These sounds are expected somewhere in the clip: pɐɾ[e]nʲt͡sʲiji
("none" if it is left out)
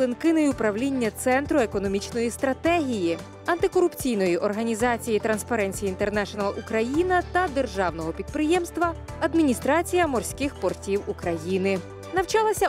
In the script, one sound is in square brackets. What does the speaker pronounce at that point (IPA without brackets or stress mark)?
ɛ